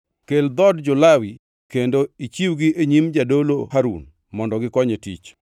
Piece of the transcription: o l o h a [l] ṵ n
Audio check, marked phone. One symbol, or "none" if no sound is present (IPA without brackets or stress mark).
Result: ɾ